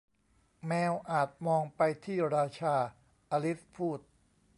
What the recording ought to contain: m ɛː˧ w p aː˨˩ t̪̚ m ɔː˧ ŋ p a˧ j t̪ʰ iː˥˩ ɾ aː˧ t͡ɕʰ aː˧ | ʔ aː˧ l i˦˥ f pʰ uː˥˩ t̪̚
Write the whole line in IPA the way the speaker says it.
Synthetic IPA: m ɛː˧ w ʔ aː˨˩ t̪̚ m ɔː˧ ŋ p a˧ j t̪ʰ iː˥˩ ɾ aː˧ t͡ɕʰ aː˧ | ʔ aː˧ l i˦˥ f pʰ uː˥˩ t̪̚